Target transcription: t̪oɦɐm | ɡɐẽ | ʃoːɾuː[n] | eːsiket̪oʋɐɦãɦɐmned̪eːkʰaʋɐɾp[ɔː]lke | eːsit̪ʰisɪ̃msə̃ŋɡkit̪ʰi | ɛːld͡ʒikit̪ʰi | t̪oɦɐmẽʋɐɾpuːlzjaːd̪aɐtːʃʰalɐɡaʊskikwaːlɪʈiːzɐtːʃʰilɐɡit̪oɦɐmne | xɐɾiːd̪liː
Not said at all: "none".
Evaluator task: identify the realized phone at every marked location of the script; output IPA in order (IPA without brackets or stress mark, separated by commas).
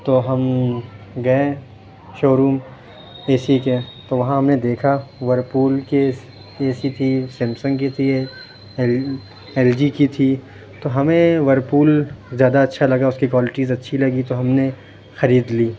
m, uː